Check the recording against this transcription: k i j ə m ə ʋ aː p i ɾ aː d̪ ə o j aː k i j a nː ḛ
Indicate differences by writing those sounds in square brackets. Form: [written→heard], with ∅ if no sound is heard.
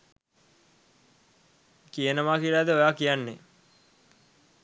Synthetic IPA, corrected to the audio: k i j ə [m→n] ə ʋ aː [p→k] i [ɾ→l] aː d̪ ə o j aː k i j a nː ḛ